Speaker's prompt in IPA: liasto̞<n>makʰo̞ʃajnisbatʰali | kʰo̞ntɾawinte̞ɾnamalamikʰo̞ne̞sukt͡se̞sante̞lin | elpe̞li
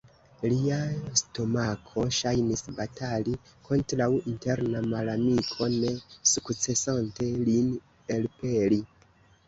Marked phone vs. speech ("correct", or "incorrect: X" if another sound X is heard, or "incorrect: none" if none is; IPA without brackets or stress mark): incorrect: none